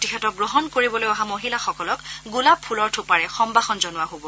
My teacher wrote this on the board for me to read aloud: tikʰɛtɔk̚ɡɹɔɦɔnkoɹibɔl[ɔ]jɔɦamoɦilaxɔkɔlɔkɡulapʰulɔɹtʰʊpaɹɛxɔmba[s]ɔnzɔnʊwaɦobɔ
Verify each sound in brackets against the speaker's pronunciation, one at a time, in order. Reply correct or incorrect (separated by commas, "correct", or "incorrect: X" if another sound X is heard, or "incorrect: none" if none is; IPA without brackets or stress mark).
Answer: incorrect: o, incorrect: x